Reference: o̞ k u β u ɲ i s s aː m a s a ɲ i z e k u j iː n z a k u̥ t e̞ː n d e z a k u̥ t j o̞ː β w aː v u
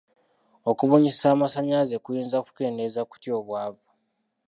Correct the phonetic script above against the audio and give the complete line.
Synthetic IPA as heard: o̞ k u β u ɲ i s s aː m a s a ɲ a z e k u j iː n z a k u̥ k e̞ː n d e z a k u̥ t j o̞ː β w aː v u

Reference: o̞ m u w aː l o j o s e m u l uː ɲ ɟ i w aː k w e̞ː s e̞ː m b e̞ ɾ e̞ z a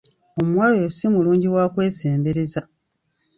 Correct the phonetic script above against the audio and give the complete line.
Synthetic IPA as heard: o̞ m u w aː l o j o s i m u l uː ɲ ɟ i w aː k w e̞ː s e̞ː m b e̞ ɾ e̞ z a

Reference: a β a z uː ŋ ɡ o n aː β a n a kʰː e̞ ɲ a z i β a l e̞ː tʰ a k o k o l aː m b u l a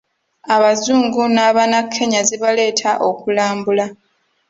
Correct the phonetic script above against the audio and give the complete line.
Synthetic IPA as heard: a β a z uː ŋ ɡ u n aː β a n a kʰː e̞ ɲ a z i β a l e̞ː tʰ a ʔ o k u l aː m b u l a

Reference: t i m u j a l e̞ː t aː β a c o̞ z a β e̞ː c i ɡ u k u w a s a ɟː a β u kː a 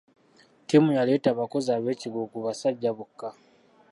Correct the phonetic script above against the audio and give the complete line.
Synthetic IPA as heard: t i m u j a l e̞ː t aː β a k o̞ z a β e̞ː c i ɡ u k u β a s a ɟː a β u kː a

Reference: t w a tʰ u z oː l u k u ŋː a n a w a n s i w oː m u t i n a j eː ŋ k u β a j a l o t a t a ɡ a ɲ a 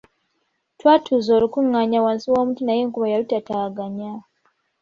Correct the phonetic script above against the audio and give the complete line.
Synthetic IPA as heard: t w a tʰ u z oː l u k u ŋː a ɲ a w a n s i w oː m u t i n a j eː ŋ k u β a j a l u t a t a ɡ a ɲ a

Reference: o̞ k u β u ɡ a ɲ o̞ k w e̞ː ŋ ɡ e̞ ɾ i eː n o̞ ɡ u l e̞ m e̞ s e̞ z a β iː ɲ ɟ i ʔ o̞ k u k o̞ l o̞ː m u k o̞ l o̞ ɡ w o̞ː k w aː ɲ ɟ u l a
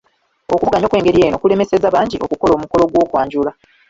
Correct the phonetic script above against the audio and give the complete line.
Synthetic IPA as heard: o̞ k u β u ɡ a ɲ o̞ k w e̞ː ŋ ɡ e̞ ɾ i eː n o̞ k u l e̞ m e̞ s e̞ z a β aː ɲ ɟ i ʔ o̞ k u k o̞ l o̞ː m u k o̞ l o̞ ɡ w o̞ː k w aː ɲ ɟ u l a

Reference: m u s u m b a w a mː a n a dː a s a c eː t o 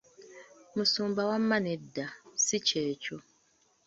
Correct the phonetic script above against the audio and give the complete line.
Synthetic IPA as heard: m u s uː m b a w a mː a n e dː a s i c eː c o

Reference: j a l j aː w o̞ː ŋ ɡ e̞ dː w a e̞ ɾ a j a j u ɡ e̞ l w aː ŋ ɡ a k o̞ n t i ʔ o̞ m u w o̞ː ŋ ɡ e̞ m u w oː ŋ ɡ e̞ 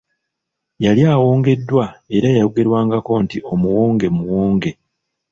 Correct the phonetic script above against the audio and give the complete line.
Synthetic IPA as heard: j a l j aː w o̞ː ŋ ɡ e̞ dː w a e̞ ɾ a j a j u ɡ e̞ ɾ w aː ŋ ɡ a k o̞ n t i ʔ o̞ m u w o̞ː ŋ ɡ e̞ m u w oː ŋ ɡ e̞

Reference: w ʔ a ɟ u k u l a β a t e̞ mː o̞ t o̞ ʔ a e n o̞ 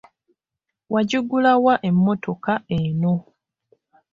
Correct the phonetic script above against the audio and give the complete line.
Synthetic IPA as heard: w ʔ a ɟ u ɡ u l a w a ʔ e̞ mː o̞ t o̞ k a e n o̞

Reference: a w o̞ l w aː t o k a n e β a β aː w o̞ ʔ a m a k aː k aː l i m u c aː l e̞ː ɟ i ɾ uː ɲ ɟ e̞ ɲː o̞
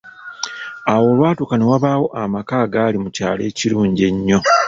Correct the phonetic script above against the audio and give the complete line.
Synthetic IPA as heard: a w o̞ l w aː t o k a n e w a β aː w o̞ ʔ a m a k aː ɡ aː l i m u c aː l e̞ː c i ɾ uː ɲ ɟ e̞ ɲː o̞

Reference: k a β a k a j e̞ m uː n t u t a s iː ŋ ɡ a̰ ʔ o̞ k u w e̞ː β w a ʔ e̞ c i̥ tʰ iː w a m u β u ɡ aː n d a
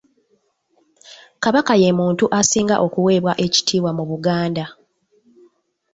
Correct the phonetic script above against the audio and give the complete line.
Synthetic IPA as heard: k a β a k a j e̞ m uː n t u ʔ a s iː ŋ ɡ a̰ ʔ o̞ k u w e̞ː β w a ʔ e̞ c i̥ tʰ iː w a m u β u ɡ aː n d a

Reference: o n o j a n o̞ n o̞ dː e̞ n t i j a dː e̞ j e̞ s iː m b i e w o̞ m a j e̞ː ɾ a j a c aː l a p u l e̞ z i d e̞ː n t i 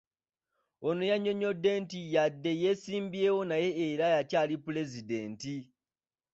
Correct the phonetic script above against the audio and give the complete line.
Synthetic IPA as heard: o n o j a ɲ o̞ ɲ o̞ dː e̞ n t i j a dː e̞ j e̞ s iː m b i e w o̞ n a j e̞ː ɾ a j a c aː l i p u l e̞ z i d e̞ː n t i

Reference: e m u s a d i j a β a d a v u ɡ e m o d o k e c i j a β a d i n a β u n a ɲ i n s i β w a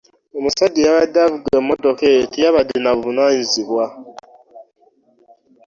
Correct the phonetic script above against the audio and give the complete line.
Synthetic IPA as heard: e m u s a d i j a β a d a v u ɡ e m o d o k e t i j a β a d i n a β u n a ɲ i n z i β w a

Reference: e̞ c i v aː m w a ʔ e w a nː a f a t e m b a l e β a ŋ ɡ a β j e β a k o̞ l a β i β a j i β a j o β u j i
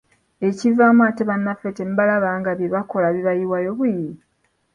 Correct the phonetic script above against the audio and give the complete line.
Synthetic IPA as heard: e̞ c i v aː m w a t e β a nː a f e t e m b a l a β a ŋ ɡ a β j e β a k o̞ l a β i β a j i w a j o β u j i

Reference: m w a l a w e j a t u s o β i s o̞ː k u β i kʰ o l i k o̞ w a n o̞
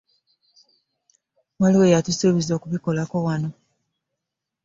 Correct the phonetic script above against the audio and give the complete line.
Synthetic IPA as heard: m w a l i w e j a t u s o β i z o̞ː k u β i k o l a k o̞ w a n o̞

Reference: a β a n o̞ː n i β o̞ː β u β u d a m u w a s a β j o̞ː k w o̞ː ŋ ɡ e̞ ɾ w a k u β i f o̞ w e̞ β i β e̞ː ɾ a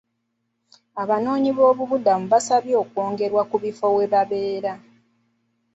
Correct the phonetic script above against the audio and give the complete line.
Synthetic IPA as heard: a β a n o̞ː ɲ i β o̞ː β u β u d a m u β a s a β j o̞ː k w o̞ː ŋ ɡ e̞ ɾ w a k u β i f o̞ w e̞ β a β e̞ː ɾ a

